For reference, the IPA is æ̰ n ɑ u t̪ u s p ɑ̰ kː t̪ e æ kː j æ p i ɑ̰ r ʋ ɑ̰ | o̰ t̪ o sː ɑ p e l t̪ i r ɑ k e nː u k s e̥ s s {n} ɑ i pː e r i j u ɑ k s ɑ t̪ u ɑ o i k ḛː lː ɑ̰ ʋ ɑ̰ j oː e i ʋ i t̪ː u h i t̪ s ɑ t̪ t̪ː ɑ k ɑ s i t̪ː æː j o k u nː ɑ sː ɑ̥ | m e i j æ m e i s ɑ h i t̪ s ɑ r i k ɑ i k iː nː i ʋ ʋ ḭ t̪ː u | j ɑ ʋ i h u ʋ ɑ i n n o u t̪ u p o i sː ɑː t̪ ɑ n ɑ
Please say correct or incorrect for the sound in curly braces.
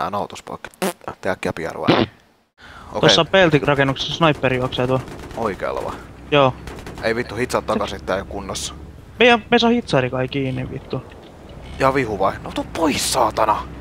correct